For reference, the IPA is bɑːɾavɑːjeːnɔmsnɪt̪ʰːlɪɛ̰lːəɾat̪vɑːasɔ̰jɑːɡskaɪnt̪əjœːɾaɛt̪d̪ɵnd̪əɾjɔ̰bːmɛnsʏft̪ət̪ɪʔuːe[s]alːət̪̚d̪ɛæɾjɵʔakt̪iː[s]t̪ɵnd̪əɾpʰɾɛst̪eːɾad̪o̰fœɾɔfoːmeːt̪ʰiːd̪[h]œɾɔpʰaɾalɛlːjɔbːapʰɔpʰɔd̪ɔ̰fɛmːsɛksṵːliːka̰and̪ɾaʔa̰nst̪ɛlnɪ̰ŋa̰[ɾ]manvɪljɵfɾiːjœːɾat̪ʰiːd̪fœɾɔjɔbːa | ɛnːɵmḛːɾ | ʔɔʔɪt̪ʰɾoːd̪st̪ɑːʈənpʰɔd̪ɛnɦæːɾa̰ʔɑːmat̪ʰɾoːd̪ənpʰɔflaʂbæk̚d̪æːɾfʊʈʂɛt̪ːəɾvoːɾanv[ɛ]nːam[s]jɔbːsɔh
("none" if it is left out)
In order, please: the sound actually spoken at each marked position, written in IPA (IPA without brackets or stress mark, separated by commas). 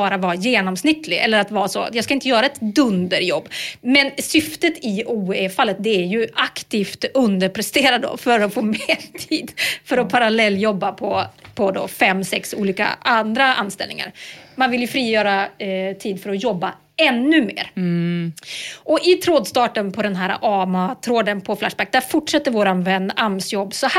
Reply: f, f, f, ɾ, ɛ, s